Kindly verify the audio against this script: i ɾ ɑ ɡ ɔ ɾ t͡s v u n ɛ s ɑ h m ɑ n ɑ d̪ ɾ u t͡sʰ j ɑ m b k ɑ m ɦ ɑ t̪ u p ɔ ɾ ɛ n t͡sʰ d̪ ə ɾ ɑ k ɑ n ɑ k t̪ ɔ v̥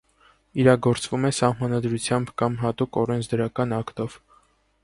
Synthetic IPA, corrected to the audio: i ɾ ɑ ɡ ɔ ɾ t͡s v u m ɛ s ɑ h m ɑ n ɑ d̪ ɾ u t͡sʰ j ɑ m b k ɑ m ɦ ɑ t̪ u k ɔ ɾ ɛ n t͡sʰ d̪ ə ɾ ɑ k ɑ n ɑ k t̪ ɔ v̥